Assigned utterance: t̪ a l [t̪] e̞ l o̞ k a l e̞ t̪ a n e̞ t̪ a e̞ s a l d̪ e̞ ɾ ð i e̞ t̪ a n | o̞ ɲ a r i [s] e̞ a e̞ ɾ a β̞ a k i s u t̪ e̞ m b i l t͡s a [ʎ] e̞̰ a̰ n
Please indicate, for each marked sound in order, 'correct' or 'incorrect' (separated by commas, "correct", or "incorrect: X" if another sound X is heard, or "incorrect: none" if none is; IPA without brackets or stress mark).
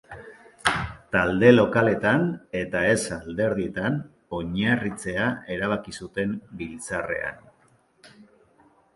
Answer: incorrect: d̪, incorrect: t͡s, incorrect: r